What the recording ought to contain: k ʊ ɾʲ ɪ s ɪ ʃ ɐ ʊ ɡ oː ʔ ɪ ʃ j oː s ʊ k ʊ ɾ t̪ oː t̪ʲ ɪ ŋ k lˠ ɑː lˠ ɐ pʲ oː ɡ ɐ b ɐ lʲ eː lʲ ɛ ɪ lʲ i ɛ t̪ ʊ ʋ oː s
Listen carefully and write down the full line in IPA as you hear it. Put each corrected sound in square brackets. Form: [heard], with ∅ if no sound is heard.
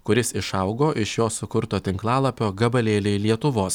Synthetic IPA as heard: k ʊ ɾʲ ɪ s ɪ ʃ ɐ ʊ ɡ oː ʔ ɪ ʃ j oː s ʊ k ʊ ɾ t̪ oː t̪ʲ ɪ ŋ k lˠ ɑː lˠ ɐ pʲ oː ɡ ɐ b ɐ lʲ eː lʲ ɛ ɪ lʲ i ɛ t̪ ʊ ʋ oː s